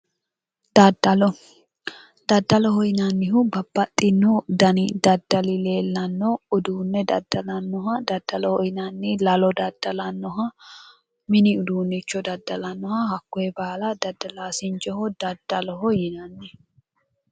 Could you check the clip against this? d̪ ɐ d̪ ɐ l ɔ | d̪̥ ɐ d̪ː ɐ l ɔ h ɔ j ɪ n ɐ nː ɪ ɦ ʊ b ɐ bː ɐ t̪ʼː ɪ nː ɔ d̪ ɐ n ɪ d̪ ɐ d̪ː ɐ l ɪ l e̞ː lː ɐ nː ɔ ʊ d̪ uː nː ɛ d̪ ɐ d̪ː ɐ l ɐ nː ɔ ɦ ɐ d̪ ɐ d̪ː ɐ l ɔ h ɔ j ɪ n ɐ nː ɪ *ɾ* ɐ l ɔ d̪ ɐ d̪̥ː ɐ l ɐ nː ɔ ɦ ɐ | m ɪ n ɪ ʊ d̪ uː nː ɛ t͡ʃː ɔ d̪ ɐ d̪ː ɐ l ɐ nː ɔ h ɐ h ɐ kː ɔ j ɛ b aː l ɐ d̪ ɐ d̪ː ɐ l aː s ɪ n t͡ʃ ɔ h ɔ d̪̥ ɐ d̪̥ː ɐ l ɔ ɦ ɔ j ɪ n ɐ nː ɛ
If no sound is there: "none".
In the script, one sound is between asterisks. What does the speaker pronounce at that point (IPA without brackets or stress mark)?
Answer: l